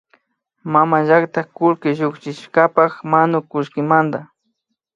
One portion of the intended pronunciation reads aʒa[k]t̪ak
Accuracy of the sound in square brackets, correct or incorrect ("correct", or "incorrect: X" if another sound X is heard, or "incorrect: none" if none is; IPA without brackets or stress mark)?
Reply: correct